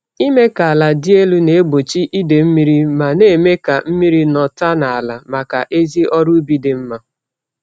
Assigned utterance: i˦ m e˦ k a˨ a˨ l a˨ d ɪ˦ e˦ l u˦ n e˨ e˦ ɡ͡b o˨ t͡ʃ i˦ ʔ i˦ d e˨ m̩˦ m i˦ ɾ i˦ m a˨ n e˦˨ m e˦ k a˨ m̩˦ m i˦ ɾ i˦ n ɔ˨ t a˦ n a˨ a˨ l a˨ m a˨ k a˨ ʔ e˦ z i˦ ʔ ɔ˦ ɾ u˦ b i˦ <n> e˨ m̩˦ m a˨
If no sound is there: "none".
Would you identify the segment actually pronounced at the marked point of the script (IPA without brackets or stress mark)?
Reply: d